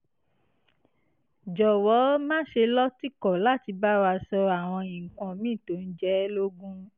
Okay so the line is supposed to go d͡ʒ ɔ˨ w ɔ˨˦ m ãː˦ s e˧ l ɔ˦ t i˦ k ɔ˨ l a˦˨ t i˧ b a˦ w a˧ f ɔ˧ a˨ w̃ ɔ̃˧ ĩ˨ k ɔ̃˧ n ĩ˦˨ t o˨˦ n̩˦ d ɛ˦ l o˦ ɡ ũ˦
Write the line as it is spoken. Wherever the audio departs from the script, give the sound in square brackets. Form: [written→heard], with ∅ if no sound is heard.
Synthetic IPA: d͡ʒ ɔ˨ w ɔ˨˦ m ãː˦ [s→ʃ] e˧ l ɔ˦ t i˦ k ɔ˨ l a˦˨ t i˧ b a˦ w a˧ [f→s] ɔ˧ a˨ w̃ ɔ̃˧ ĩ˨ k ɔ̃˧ [n→m] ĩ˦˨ t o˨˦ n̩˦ [d→d͡ʒ] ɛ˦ l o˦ ɡ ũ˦